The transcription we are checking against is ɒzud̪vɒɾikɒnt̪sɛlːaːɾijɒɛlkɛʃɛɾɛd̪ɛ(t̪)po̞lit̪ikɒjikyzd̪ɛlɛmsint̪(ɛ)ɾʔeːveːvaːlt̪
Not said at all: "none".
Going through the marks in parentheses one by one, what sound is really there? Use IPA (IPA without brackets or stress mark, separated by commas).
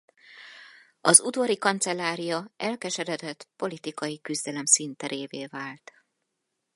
t̪, ɛ